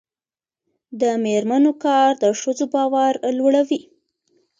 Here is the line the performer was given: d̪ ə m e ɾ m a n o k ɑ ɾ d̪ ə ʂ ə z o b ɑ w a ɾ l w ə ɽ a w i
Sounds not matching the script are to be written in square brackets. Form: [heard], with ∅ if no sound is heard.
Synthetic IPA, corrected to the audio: d̪ ə m e ɾ m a n o k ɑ ɾ d̪ ə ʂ ə z o b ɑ w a ɾ l w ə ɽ a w i